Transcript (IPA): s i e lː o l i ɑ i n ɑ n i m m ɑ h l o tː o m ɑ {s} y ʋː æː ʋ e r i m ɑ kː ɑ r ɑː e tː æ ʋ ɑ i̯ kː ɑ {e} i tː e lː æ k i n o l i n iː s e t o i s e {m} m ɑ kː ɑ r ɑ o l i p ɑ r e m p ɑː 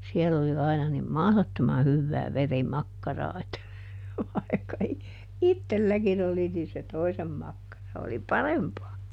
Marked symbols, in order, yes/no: no, no, yes

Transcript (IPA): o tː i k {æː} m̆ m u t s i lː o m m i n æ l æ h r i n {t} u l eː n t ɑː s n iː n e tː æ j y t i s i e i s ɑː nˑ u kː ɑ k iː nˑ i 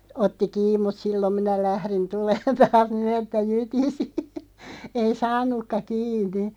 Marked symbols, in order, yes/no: no, yes

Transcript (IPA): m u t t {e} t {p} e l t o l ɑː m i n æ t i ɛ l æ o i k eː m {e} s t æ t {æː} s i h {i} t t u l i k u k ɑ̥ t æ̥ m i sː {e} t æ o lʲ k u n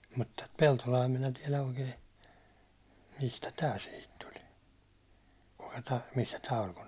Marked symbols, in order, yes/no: no, yes, no, yes, yes, no

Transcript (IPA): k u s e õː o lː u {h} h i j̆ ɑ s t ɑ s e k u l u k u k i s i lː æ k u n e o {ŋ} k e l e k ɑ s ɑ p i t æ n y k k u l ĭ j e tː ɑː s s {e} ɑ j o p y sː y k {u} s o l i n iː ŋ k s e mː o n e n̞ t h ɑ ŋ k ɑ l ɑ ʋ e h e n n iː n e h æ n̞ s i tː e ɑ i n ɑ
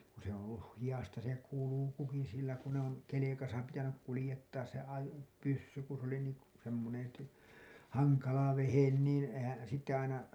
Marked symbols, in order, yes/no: yes, no, yes, yes

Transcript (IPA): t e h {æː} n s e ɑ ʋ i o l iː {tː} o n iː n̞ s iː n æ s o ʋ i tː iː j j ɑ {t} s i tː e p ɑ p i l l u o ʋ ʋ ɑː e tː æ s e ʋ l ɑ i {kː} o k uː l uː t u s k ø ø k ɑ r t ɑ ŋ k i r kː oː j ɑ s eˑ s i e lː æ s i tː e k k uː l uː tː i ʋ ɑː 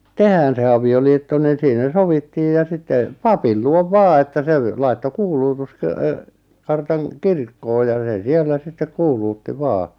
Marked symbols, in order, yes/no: yes, yes, no, no

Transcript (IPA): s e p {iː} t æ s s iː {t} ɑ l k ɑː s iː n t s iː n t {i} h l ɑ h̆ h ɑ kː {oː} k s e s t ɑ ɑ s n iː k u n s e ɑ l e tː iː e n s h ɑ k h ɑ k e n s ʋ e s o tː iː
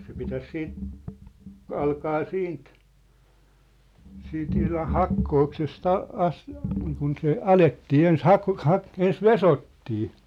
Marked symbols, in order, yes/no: no, yes, yes, yes

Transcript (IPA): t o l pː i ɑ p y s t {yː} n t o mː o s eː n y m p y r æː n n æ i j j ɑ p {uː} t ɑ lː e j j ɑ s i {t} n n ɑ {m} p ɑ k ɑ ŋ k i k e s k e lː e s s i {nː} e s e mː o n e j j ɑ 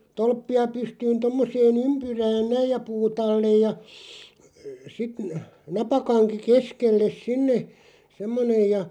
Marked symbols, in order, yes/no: yes, yes, yes, no, yes

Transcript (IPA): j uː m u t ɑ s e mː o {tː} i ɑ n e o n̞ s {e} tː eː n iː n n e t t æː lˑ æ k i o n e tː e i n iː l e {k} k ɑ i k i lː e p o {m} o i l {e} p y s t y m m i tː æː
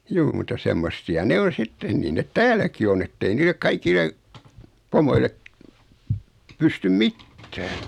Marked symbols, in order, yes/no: no, no, yes, yes, yes

